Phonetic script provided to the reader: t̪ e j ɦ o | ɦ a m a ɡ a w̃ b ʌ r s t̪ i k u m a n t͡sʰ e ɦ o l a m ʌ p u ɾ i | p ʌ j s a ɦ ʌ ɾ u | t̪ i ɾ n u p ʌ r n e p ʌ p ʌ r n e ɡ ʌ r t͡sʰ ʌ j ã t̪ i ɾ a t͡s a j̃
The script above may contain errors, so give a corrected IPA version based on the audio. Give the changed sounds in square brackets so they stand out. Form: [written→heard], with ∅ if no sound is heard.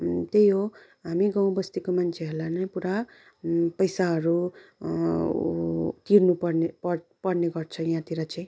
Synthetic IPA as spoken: t̪ e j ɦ o | ɦ a m [a→i] ɡ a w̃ b ʌ [r→∅] s t̪ i k [u→o] m a n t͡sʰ e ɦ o l a [m→n] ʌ p u ɾ [i→a] | p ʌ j s a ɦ ʌ ɾ u | t̪ i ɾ n u p ʌ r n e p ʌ p ʌ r n e ɡ ʌ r t͡sʰ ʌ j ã t̪ i ɾ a t͡s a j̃